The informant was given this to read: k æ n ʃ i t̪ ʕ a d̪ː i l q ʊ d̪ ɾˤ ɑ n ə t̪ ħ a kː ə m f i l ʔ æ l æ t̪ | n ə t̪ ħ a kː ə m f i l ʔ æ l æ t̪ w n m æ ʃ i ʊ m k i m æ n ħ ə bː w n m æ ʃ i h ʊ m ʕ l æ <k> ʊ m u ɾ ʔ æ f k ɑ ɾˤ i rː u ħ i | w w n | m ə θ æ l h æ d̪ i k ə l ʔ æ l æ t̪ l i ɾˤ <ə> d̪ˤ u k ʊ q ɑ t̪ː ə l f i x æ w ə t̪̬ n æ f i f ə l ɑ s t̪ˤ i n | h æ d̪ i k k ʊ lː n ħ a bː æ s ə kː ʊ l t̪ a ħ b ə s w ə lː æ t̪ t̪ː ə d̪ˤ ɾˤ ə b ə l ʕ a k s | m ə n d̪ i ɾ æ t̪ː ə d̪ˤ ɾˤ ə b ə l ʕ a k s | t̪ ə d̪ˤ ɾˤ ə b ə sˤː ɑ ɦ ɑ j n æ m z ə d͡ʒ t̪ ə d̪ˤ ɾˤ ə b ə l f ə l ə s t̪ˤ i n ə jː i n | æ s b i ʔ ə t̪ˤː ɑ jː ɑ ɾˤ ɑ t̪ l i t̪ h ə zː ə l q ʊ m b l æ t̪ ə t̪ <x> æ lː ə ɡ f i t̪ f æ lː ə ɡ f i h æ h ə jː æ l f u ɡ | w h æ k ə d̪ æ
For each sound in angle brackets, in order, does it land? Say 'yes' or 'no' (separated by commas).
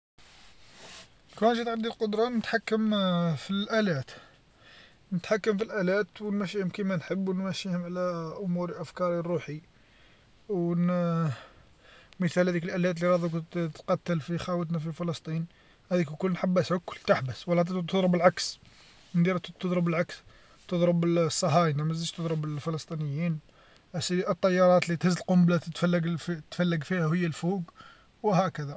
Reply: no, no, no